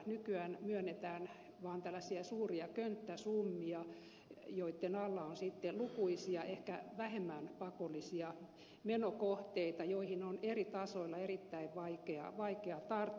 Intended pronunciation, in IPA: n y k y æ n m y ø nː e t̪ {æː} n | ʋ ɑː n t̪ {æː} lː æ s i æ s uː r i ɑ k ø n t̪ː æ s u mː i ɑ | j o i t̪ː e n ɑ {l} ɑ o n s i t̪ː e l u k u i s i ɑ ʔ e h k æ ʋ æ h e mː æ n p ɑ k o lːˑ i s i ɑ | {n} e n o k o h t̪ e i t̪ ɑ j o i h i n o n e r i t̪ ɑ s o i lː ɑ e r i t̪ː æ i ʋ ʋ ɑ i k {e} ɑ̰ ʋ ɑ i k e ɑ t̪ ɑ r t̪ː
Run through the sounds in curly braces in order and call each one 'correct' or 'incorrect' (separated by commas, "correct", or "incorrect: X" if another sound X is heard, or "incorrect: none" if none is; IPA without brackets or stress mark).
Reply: correct, incorrect: æ, incorrect: lː, incorrect: m, correct